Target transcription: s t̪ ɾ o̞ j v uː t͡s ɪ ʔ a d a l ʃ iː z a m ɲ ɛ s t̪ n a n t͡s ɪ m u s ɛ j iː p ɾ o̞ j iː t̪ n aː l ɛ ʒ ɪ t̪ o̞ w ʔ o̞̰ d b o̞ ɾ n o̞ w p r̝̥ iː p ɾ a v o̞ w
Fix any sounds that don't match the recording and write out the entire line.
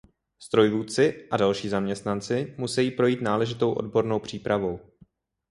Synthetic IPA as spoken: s t̪ ɾ o̞ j v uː t͡s ɪ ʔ a d a l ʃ iː z a m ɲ ɛ s t̪ n a n t͡s ɪ m u s ɛ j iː p ɾ o̞ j iː t̪ n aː l ɛ ʒ ɪ t̪ o̞ w ʔ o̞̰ d b o̞ ɾ n o̞ w p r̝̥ iː p ɾ a v o̞ w